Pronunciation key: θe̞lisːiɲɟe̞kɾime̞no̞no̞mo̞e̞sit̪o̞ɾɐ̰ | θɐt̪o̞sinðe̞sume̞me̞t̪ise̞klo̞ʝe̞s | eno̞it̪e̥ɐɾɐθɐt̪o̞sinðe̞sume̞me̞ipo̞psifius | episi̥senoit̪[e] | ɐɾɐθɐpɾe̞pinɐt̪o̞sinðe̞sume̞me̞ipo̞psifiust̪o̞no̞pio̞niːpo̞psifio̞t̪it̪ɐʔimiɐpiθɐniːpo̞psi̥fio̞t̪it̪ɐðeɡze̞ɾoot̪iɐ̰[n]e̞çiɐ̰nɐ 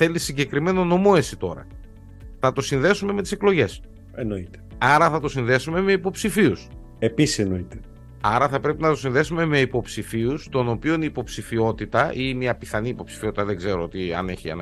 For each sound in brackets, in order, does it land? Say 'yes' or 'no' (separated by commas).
yes, yes